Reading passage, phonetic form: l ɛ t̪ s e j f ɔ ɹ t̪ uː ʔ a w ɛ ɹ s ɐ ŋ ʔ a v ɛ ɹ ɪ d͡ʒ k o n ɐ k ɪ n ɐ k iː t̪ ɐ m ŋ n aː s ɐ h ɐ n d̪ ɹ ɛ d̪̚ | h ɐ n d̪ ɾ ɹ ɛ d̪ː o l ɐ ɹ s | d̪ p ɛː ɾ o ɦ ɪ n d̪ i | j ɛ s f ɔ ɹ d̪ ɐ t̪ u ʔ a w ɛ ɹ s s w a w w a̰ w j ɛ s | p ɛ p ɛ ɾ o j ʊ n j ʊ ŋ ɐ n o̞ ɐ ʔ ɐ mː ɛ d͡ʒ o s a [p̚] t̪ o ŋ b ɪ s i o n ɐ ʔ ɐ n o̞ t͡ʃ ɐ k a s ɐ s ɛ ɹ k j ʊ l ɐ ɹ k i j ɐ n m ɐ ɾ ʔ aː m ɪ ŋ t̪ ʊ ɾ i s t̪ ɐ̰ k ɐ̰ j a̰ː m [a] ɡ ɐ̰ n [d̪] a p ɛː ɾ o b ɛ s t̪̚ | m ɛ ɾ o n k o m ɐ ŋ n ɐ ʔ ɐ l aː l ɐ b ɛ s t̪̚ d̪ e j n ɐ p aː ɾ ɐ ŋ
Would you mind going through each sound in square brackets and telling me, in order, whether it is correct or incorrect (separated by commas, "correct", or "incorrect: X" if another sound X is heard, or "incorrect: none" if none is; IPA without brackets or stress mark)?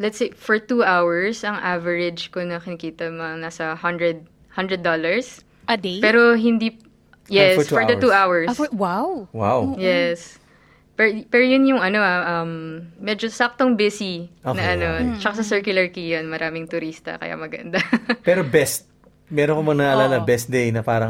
incorrect: k̚, incorrect: ɐ, correct